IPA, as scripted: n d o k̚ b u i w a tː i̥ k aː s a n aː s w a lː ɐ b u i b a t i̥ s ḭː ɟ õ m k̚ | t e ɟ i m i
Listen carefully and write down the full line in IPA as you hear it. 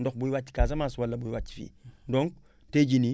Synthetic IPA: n d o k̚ b u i w a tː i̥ k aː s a m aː s w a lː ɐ b u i w a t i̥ f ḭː d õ ŋ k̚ | t e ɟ i n i